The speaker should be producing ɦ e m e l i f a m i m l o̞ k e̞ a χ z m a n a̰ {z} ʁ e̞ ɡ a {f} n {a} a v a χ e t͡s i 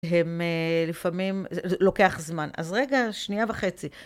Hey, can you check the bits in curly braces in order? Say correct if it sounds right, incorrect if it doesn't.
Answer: correct, incorrect: ʃ, incorrect: i

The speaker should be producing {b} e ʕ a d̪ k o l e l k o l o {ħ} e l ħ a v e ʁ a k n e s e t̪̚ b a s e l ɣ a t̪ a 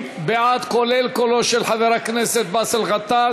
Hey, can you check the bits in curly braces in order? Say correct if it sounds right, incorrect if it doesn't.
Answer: correct, incorrect: ʃ

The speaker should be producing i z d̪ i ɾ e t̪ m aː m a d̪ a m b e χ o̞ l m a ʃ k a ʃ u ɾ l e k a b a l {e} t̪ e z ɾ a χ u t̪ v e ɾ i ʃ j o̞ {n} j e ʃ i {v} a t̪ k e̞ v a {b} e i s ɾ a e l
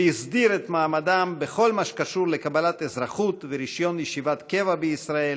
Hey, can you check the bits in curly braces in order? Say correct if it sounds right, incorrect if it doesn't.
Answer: incorrect: a, correct, correct, correct

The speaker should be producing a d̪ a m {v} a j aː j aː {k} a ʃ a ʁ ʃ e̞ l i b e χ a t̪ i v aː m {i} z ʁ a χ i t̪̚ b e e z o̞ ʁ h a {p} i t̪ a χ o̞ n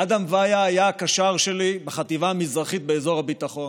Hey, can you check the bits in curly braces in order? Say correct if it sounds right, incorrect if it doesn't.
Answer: correct, correct, correct, incorrect: b

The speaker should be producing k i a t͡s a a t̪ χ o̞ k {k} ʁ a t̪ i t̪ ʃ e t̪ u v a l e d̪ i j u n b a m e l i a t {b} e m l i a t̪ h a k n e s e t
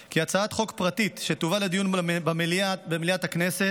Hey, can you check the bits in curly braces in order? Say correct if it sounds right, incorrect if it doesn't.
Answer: incorrect: p, correct

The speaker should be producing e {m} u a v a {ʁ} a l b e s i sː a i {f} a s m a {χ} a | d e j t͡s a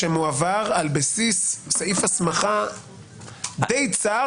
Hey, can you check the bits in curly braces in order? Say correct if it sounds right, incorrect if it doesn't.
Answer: correct, correct, correct, correct

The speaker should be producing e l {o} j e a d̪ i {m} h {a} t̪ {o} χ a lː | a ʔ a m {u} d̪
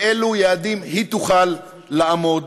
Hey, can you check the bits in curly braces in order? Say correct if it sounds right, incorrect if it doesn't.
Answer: incorrect: u, correct, incorrect: i, incorrect: u, incorrect: o

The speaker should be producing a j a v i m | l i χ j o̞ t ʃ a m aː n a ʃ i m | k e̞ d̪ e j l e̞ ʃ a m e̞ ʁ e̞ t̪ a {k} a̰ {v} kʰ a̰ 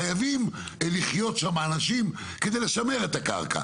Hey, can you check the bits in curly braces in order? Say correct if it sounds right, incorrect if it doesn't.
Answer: correct, incorrect: ʁ

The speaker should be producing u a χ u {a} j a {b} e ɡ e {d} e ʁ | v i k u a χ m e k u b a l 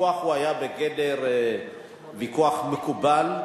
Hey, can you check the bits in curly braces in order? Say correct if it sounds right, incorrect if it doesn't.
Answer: correct, correct, correct

